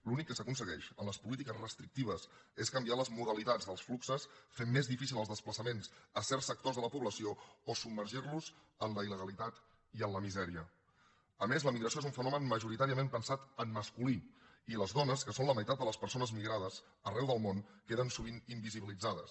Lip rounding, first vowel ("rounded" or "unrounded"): rounded